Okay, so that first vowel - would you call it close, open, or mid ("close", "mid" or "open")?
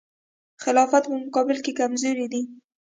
close